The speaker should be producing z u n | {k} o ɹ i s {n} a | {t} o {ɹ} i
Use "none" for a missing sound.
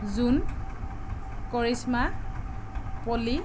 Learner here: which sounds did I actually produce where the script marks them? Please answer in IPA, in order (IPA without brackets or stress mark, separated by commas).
k, m, p, l